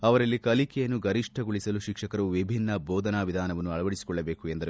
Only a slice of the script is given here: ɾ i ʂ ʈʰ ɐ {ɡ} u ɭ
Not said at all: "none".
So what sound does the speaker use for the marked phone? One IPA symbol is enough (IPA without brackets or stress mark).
ɡ